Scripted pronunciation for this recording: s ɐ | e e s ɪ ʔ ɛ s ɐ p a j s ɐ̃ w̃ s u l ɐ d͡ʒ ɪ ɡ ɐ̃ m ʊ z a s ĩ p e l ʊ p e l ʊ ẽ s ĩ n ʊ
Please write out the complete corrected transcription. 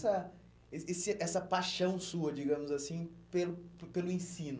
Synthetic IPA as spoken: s ɐ | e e s ɪ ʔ ɛ s ɐ p a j ʃ ɐ̃ w̃ s u ɐ d͡ʒ i ɡ ɐ̃ m ʊ z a s ĩ p e l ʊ p e l ʊ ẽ s ĩ n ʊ